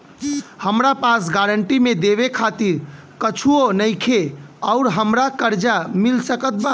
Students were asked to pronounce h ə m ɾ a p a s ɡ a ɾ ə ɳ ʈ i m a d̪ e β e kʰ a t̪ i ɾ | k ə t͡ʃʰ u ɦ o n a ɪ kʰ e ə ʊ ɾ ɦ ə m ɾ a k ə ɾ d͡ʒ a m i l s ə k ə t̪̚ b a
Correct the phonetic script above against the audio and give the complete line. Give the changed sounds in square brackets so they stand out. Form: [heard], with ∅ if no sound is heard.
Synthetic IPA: h ə m ɾ a p a s ɡ a ɾ ə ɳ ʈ i m [e] d̪ e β e kʰ a t̪ i ɾ | k ə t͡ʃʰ u [∅] o n [ə] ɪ kʰ e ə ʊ ɾ ɦ ə m ɾ a k ə ɾ d͡ʒ a m i l s ə k ə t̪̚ b a